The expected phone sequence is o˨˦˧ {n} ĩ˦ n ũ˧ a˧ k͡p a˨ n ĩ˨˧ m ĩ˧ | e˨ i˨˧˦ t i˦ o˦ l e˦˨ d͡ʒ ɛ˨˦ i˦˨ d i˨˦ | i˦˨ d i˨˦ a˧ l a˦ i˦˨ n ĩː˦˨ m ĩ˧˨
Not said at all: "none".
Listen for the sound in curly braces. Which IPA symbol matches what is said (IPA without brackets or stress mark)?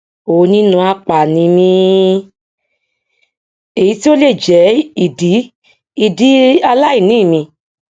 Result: n